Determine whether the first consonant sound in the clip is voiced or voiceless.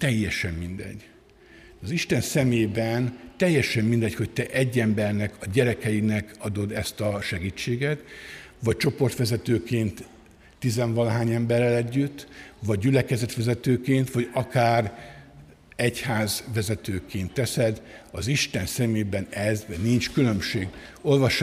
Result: voiceless